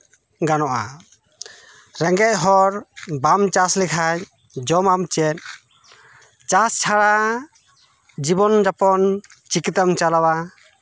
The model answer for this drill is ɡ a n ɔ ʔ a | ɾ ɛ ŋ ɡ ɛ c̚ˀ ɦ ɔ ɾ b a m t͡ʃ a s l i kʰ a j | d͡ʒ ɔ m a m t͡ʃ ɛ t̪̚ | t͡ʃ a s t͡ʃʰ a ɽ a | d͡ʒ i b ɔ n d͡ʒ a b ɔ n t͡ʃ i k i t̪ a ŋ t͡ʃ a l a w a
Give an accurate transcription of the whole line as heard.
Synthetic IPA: ɡ a n ɔ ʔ a | ɾ ɛ ŋ ɡ ɛ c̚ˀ ɦ ɔ ɾ b a m t͡ʃ a s l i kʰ a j | d͡ʒ ɔ m a m t͡ʃ ɛ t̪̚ | t͡ʃ a s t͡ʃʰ a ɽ a | d͡ʒ i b ɔ n d͡ʒ a p ɔ n t͡ʃ i k i t̪ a m t͡ʃ a l a w a